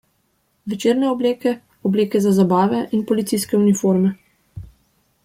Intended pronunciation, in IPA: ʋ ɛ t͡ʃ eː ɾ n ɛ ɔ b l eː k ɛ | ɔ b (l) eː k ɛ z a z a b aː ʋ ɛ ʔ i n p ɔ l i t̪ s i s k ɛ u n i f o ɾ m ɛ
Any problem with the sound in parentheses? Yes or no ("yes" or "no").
no